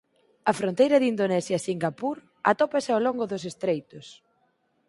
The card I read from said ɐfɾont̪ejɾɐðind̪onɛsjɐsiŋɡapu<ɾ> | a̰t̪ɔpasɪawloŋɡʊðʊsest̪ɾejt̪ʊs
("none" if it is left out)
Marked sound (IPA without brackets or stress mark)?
ɾ